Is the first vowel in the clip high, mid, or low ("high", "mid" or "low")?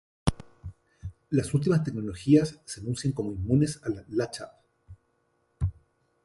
low